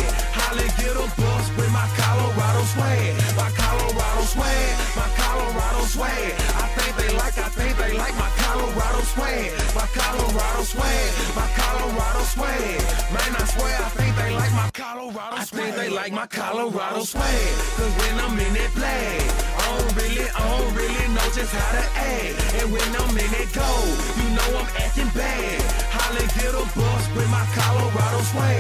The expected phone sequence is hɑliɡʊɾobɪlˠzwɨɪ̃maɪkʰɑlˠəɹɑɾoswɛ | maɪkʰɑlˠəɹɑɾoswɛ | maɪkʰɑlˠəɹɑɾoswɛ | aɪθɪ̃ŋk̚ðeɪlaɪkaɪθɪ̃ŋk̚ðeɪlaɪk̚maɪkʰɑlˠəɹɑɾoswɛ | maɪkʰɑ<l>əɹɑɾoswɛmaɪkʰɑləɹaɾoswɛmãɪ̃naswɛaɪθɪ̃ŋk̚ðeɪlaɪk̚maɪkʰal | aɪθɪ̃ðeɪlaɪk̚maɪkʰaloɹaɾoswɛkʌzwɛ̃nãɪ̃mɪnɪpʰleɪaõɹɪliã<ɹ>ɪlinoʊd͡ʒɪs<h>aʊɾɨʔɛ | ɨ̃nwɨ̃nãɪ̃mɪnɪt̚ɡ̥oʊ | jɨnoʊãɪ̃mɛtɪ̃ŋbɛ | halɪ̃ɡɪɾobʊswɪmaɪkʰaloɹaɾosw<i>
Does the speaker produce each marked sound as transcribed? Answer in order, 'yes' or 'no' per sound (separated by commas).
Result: yes, yes, yes, no